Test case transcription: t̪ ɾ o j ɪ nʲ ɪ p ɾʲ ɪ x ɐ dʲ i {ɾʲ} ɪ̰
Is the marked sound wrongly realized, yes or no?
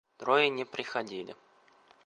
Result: yes